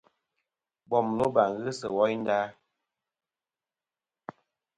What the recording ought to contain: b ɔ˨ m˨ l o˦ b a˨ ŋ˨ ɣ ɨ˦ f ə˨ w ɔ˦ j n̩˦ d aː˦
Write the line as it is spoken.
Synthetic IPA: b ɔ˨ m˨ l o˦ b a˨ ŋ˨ ɣ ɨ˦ s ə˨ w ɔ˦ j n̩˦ d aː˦